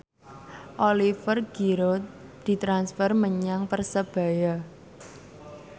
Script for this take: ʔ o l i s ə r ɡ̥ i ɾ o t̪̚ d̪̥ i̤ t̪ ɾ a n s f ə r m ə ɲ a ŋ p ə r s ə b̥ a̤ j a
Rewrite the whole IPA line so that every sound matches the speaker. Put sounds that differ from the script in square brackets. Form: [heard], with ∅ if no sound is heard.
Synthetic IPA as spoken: ʔ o l i [f] ə r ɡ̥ i ɾ o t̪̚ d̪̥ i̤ t̪ ɾ a n s f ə r m ə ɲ a ŋ p ə r s ə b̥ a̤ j a